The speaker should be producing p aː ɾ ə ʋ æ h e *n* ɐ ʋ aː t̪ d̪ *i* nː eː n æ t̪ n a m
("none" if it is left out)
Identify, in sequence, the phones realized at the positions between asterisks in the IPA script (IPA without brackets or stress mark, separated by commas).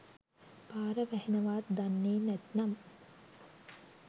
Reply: n, a